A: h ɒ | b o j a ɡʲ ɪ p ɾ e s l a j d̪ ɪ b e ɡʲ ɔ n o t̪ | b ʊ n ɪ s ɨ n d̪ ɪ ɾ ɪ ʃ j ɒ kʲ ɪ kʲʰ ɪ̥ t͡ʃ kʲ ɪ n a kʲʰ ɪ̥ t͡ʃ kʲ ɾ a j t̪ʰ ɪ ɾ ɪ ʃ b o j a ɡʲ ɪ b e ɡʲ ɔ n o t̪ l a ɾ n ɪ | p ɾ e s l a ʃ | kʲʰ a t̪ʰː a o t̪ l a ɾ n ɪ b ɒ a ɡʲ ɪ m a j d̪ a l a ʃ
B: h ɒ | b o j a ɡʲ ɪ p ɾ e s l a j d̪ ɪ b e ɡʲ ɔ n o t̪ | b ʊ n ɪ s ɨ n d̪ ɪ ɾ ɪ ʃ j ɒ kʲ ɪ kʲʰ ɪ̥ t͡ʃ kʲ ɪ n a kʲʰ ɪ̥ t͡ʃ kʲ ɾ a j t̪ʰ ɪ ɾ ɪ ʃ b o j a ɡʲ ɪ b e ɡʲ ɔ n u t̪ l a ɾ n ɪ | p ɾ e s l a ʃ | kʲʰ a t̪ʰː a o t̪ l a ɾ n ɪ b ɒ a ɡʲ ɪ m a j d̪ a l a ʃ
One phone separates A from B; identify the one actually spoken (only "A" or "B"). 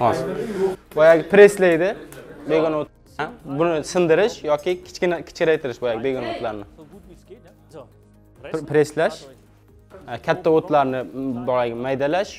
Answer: A